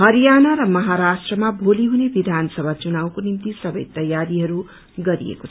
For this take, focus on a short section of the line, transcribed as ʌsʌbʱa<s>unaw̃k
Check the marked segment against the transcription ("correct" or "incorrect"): incorrect